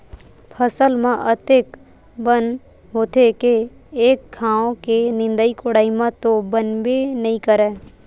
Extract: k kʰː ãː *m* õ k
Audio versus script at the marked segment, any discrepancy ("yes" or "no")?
yes